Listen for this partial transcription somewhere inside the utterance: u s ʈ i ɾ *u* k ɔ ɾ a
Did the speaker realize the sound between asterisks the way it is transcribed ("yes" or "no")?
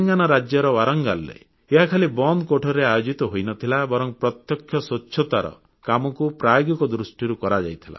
yes